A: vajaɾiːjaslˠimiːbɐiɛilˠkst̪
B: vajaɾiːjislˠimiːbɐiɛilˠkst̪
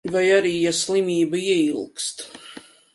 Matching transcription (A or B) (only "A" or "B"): A